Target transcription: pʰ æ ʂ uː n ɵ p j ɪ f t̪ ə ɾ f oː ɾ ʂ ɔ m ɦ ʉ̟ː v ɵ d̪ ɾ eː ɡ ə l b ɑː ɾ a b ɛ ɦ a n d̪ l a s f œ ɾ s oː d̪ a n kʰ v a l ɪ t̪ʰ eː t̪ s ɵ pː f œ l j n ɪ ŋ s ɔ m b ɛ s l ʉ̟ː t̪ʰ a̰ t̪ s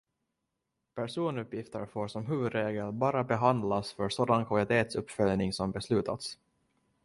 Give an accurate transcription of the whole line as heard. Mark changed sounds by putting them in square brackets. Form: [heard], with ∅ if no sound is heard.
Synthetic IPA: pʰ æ ʂ uː n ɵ p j ɪ f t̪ ə ɾ f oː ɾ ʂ ɔ m ɦ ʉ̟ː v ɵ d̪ ɾ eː ɡ ə l b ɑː ɾ a b ɛ ɦ a n d̪ l a s f œ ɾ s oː d̪ a n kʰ v a l ɪ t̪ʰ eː t̪ s ɵ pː f œ l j n ɪ ŋ s ɔ m b ɛ s l ʉ̟ː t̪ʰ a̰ t̪ s

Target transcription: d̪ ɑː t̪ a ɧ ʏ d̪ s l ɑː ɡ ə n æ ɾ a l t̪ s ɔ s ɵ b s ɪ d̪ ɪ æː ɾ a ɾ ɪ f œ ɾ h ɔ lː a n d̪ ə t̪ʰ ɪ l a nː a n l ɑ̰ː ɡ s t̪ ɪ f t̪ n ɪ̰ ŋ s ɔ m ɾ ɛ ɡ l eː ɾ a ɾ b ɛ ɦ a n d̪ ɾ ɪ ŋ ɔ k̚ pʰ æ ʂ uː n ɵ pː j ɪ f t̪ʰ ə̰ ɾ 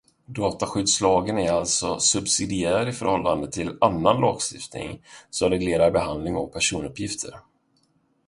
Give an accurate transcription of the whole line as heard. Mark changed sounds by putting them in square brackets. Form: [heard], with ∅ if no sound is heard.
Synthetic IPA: d̪ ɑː t̪ a ɧ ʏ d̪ s l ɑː ɡ ə n æ ɾ a l t̪ s ɔ s ɵ b s ɪ d̪ ɪ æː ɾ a ɾ ɪ f œ ɾ h ɔ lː a n d̪ ə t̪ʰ ɪ l a nː a n l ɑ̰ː ɡ s t̪ ɪ f t̪ n ɪ̰ ŋ s ɔ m ɾ ɛ ɡ l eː ɾ a ɾ b ɛ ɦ a n d̪ [l] ɪ ŋ ɔ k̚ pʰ æ ʂ uː n ɵ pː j ɪ f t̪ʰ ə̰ ɾ

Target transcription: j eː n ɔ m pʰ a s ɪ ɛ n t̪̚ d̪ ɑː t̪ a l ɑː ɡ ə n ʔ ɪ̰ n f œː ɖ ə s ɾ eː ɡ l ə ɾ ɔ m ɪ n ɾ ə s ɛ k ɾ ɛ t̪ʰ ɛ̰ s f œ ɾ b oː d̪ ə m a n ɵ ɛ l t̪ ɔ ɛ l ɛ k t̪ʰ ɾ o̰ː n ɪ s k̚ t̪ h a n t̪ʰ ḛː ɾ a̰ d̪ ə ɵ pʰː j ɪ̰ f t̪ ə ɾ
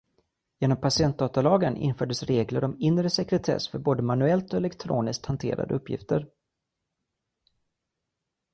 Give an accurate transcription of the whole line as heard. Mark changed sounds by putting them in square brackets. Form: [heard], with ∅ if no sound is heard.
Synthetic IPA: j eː n ɔ m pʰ a s ɪ ɛ n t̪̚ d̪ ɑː t̪ a l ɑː ɡ ə n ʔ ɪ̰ n f œː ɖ ə s ɾ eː ɡ l ə ɾ ɔ m ɪ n ɾ ə s ɛ k ɾ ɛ t̪ʰ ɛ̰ s f œ ɾ b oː d̪ ə m a n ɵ ɛ l t̪ ɔ ɛ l ɛ k t̪ʰ ɾ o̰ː n ɪ s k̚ t̪ h a n t̪ʰ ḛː ɾ a̰ d̪ ə ɵ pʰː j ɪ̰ f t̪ ə ɾ

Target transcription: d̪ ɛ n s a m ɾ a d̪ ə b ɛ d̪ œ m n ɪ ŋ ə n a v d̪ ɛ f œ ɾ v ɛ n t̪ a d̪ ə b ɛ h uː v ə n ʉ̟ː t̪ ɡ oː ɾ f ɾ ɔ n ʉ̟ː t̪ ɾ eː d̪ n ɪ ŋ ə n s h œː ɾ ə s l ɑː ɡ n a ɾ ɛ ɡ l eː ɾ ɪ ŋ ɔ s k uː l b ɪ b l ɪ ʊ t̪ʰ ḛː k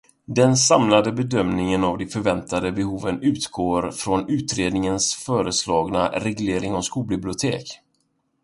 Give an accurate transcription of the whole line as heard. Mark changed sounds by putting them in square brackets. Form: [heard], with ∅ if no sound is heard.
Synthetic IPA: d̪ ɛ n s a m [l] a d̪ ə b ɛ d̪ œ m n ɪ ŋ ə n a v d̪ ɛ f œ ɾ v ɛ n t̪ a d̪ ə b ɛ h uː v ə n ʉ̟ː t̪ ɡ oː ɾ f ɾ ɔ n ʉ̟ː t̪ ɾ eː d̪ n ɪ ŋ ə n s [f] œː ɾ ə s l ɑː ɡ n a ɾ ɛ ɡ l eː ɾ ɪ ŋ ɔ s k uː l b ɪ b l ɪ ʊ t̪ʰ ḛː k

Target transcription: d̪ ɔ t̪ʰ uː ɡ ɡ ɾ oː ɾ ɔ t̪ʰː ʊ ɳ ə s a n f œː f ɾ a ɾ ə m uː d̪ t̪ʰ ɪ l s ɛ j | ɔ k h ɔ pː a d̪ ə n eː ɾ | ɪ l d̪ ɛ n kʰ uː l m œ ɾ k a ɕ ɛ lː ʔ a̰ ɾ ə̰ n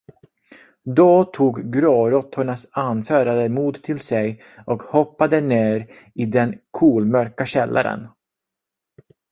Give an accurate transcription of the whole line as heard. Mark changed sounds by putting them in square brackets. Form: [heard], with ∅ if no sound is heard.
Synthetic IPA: d̪ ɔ t̪ʰ uː ɡ ɡ ɾ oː ɾ ɔ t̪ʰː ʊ ɳ [a] s a n f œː [∅] ɾ a ɾ ə m uː d̪ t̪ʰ ɪ l s ɛ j | ɔ k h ɔ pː a d̪ ə n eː ɾ | ɪ [∅] d̪ ɛ n kʰ uː l m œ ɾ k a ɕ ɛ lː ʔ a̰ ɾ ə̰ n

